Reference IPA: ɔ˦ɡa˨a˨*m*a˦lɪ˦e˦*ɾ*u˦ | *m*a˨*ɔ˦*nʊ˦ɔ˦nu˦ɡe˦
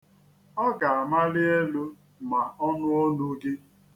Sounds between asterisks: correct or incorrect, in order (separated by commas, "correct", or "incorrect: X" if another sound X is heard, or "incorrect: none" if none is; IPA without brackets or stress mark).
correct, incorrect: l, correct, correct